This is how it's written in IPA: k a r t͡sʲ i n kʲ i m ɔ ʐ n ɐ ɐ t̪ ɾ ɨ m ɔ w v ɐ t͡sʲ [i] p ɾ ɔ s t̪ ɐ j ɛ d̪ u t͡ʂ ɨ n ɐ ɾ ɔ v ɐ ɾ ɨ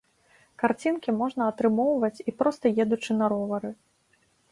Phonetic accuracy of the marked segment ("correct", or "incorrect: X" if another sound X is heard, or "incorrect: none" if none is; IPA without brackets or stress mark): correct